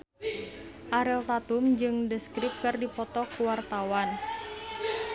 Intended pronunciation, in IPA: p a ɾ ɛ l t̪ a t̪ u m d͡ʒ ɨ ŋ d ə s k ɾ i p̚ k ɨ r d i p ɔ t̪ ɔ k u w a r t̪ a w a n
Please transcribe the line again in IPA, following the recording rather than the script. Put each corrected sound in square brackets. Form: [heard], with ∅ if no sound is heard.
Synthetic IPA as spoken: [ʔ] a ɾ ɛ l t̪ a t̪ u m d͡ʒ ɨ ŋ d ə s k ɾ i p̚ k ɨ r d i p ɔ t̪ ɔ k u w a r t̪ a w a n